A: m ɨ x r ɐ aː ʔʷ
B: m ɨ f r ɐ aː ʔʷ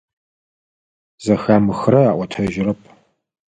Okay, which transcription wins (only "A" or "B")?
A